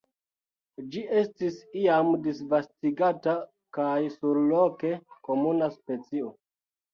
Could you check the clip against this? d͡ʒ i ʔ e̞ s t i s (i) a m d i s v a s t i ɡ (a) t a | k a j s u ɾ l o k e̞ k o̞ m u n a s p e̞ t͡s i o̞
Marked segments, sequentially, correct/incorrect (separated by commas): correct, correct